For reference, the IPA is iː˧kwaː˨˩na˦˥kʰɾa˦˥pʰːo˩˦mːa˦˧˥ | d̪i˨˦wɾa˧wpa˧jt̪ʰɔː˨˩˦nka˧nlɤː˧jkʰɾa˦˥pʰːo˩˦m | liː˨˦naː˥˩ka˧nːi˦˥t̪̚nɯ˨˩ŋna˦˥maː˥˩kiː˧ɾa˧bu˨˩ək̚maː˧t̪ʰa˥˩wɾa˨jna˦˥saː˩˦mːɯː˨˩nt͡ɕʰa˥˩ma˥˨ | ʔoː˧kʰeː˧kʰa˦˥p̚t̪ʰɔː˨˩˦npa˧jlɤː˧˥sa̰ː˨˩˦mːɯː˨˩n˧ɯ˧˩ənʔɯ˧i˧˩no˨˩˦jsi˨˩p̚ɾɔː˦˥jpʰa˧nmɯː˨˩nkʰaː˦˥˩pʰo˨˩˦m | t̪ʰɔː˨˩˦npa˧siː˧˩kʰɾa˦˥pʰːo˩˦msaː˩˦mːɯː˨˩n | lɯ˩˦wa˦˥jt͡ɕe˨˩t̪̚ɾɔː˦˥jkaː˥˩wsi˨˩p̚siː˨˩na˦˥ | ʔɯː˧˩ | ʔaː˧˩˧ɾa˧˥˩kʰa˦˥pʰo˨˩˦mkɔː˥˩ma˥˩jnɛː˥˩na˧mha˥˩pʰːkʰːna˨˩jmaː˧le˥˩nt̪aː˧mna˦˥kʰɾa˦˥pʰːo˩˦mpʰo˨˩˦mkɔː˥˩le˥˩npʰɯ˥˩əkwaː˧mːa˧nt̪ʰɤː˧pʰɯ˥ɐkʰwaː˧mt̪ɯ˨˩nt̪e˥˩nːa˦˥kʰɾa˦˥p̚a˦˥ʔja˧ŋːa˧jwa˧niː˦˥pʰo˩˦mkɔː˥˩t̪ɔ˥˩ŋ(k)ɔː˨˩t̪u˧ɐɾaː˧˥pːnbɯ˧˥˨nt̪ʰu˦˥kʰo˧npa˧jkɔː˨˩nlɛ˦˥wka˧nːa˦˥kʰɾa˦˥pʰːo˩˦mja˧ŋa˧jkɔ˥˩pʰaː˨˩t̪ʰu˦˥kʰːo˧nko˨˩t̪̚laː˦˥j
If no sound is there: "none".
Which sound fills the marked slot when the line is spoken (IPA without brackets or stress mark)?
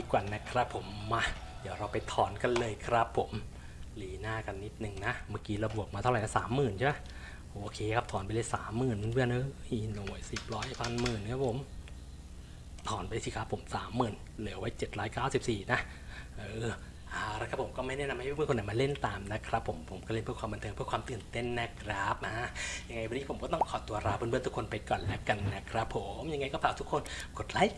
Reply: kʰ